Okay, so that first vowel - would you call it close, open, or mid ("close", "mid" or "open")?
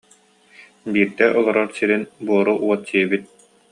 close